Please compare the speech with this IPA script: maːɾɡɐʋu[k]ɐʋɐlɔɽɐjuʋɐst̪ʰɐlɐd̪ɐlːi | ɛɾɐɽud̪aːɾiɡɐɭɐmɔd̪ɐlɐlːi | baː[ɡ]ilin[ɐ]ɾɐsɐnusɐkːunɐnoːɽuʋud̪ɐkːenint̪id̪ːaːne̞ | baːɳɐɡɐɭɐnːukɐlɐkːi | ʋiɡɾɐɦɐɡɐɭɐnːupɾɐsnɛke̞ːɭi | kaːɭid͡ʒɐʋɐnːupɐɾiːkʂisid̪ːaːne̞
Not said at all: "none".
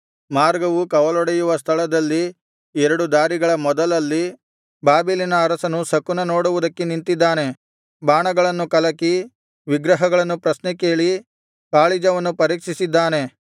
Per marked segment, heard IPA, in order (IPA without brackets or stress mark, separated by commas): k, b, ɐː